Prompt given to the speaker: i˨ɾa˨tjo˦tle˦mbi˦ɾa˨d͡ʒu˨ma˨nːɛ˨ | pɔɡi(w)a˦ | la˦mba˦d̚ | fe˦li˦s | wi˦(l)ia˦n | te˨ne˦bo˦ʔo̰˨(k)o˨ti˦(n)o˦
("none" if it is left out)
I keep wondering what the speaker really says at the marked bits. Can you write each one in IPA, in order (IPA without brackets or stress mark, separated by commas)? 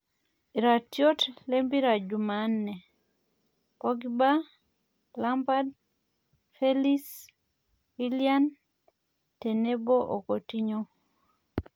b, l, k, ɲ